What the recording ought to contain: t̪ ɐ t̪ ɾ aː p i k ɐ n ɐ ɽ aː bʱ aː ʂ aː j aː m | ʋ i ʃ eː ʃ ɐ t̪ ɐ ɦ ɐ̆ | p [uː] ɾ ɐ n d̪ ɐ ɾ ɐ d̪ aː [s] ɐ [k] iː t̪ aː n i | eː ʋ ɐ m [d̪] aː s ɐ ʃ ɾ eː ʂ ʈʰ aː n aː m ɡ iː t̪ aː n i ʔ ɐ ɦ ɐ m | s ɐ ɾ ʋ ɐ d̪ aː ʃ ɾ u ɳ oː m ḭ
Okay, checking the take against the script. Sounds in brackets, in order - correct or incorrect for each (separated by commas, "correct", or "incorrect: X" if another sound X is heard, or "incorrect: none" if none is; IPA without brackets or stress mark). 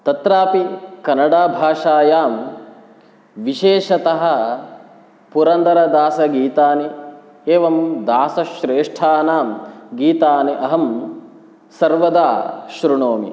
incorrect: u, correct, incorrect: ɡ, correct